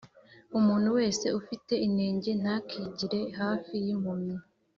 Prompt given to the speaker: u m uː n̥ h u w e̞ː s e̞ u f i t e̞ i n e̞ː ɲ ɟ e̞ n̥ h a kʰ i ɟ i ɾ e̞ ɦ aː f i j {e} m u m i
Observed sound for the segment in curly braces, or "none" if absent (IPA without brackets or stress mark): i